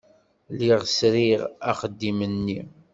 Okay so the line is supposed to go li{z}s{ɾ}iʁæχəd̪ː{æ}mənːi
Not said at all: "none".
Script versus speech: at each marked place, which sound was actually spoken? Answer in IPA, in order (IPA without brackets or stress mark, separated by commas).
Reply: ʁ, ɾ, i